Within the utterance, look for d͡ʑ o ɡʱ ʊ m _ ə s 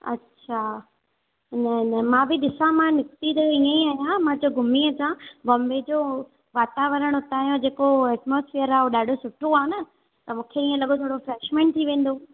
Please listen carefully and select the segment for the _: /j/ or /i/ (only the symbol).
i